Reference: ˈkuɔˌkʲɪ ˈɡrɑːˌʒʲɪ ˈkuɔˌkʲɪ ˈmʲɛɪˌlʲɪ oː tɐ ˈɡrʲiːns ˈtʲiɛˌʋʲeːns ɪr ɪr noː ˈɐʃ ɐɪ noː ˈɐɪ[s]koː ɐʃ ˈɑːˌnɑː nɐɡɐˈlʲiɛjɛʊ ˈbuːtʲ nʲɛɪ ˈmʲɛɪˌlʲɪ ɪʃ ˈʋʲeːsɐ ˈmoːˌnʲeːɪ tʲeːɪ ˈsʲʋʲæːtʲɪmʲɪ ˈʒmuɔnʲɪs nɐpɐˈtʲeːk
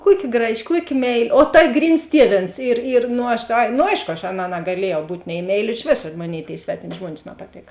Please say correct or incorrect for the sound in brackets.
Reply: incorrect